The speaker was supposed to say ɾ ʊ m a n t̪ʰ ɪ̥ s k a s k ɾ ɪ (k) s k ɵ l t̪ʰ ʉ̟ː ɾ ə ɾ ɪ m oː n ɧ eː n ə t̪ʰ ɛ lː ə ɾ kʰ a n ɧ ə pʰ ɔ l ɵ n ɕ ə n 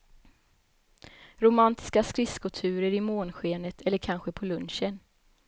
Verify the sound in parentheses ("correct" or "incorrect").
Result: incorrect